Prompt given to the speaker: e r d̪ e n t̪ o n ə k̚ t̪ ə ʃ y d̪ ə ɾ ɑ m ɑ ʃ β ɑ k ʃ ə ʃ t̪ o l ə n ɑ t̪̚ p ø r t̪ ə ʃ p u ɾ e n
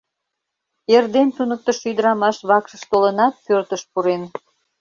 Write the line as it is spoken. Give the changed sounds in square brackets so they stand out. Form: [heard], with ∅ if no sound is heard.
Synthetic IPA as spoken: e r d̪ e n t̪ [u] n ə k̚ t̪ ə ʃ y d̪ ə ɾ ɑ m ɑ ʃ β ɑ k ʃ ə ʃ t̪ o l ə n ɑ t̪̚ p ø r t̪ ə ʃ p u ɾ e n